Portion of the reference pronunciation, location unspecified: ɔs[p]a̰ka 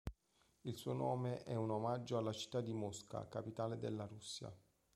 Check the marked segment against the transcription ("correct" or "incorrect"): incorrect